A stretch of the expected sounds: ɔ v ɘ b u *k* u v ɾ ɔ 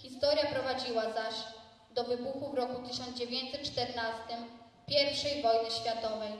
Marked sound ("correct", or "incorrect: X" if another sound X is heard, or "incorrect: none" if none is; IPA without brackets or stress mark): incorrect: x